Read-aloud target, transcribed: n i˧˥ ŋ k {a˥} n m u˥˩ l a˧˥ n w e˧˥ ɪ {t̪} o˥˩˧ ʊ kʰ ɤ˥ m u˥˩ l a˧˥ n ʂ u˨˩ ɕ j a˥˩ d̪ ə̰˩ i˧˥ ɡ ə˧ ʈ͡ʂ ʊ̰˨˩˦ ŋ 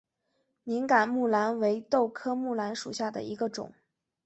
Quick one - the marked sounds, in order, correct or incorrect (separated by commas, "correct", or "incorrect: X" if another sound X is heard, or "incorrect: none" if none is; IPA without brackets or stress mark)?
incorrect: a˨˩, correct